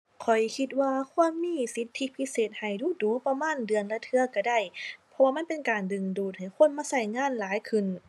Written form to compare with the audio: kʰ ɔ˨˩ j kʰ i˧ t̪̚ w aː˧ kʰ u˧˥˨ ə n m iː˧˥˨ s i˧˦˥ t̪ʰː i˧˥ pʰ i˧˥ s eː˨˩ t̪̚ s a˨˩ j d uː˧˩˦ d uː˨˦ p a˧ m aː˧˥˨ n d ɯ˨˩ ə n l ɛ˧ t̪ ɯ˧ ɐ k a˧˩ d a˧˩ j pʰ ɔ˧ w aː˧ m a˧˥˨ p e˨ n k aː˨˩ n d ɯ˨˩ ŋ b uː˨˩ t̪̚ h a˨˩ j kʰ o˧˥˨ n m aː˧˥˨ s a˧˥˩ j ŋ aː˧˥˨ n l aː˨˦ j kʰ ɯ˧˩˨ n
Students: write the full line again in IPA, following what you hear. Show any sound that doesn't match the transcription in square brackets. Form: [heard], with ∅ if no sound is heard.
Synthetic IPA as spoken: kʰ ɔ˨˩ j kʰ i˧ t̪̚ w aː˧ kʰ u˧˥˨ ə n m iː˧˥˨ s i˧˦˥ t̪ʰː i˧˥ pʰ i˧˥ s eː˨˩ t̪̚ [h] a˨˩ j d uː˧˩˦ d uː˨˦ p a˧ m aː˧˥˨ n d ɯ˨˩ ə n l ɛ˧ [t̪ʰ] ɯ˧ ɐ k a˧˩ d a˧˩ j pʰ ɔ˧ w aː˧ m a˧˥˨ p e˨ n k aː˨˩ n d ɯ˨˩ ŋ [d] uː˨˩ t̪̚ h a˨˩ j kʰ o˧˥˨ n m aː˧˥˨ s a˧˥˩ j ŋ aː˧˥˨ n l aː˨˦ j kʰ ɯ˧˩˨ n